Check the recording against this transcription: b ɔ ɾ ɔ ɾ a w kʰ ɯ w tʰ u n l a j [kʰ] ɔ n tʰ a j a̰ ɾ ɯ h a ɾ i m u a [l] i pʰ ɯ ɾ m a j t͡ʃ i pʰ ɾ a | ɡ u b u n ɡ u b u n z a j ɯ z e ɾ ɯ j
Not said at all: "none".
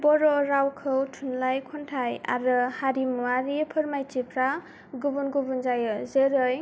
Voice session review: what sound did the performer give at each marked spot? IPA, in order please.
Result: kʰ, ɾ

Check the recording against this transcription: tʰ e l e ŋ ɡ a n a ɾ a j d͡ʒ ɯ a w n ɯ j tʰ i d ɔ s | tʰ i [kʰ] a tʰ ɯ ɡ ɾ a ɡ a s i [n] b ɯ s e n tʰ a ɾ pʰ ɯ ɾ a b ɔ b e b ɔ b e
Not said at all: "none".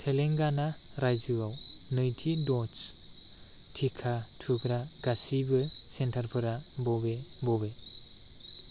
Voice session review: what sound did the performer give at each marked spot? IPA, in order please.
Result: kʰ, none

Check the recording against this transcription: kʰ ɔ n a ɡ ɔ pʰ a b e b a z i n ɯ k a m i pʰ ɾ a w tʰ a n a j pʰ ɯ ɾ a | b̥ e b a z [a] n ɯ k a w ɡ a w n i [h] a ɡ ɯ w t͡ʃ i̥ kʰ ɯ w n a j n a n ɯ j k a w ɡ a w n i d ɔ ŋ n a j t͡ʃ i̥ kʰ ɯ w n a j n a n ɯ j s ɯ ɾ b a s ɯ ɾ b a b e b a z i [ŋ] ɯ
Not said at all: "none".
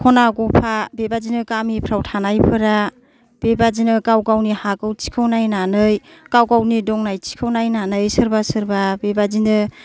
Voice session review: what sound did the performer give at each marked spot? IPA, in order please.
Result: i, h, n

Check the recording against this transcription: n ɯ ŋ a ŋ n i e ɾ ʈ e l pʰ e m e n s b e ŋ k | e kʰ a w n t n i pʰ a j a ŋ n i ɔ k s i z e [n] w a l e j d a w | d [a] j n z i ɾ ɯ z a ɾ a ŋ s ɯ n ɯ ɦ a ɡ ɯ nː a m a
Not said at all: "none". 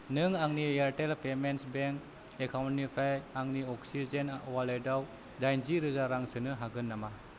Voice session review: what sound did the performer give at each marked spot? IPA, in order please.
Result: n, a

